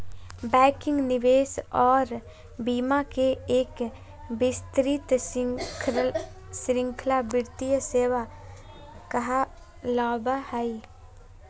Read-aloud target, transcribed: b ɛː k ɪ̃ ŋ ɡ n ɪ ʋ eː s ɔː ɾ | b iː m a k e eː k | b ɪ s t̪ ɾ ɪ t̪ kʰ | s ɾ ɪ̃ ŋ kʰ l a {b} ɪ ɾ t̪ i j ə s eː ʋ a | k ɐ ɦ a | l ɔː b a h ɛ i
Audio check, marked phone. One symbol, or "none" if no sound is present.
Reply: b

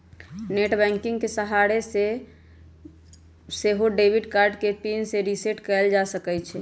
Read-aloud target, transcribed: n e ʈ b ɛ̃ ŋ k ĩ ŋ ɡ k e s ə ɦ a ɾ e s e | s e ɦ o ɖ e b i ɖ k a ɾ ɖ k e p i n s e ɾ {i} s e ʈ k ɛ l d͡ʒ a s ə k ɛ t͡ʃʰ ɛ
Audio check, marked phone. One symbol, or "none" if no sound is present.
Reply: i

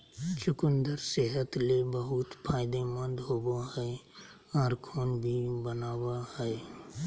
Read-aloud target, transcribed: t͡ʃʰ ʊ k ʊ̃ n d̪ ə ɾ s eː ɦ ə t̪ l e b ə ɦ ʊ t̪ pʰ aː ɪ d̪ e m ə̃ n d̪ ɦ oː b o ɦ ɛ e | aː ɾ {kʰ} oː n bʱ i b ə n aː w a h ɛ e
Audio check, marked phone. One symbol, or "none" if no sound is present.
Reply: kʰ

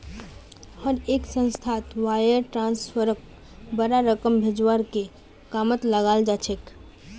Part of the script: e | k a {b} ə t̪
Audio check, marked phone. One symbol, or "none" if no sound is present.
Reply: m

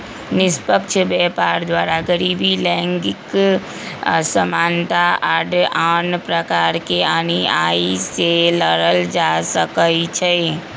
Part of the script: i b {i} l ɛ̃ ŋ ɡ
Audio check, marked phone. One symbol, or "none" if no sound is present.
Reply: i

